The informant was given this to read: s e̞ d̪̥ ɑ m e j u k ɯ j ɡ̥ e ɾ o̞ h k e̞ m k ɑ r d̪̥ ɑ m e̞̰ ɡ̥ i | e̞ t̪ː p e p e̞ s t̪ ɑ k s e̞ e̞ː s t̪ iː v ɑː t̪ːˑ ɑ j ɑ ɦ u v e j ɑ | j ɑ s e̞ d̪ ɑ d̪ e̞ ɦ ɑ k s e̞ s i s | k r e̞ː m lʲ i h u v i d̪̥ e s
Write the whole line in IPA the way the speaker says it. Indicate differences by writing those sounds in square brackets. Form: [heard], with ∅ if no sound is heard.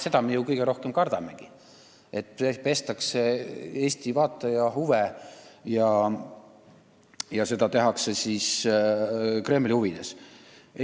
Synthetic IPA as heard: s e̞ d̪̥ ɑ m e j u k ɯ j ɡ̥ e ɾ o̞ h k e̞ m k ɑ r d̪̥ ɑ m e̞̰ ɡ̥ i | e̞ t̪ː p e p e̞ s t̪ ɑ k s e̞ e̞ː s t̪ [i] v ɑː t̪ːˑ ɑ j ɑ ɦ u v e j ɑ | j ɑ s e̞ d̪ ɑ [t̪] e̞ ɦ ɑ k s e̞ s i s | k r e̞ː m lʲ i h u v i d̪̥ e s

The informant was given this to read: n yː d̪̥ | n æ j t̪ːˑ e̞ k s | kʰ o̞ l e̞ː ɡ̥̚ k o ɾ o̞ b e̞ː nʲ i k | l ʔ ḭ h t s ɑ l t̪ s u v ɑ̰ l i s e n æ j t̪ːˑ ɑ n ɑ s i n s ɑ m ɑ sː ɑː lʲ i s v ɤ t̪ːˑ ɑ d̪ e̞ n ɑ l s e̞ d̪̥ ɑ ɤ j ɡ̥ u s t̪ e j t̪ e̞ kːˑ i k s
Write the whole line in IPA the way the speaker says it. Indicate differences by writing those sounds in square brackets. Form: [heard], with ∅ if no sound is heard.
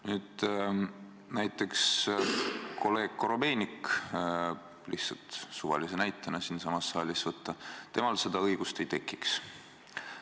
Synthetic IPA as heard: n yː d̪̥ | n æ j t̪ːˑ e̞ k s | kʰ o̞ l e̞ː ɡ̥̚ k o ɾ o̞ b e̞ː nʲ i k | l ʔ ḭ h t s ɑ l t̪ s u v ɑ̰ l i s e n æ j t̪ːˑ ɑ n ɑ s i n s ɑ m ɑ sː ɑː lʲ i s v ɤ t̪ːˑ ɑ [t̪] e̞ [m] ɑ l s e̞ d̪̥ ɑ ɤ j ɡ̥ u s t̪ e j t̪ e̞ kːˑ i k s

